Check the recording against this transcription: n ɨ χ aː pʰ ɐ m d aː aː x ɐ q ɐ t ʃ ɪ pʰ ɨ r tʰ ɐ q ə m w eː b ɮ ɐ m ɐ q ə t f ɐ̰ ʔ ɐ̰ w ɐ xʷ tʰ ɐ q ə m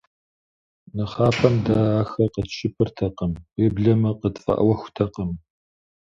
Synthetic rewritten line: n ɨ χ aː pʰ ɐ m d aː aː x ɐ q ə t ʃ ɪ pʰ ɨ r tʰ ɐ q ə m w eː b ɮ ɐ m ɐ q ə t f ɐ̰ ʔ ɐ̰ w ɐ xʷ tʰ ɐ q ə m